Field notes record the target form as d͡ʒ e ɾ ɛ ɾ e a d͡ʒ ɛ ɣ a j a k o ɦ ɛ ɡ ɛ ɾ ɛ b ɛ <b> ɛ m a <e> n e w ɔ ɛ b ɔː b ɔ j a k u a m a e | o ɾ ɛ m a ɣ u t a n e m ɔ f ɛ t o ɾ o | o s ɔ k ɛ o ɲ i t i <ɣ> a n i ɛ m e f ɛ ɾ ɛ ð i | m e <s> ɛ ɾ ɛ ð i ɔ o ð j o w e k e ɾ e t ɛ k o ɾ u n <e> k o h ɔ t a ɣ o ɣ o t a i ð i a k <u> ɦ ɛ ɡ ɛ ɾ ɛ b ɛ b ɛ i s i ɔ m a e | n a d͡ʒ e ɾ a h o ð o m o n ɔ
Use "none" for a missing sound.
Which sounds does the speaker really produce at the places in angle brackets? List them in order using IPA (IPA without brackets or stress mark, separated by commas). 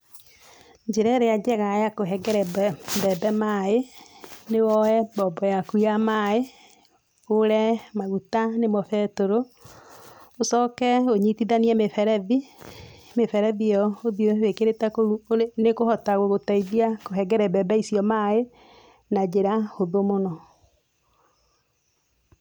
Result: b, e, ð, f, e, o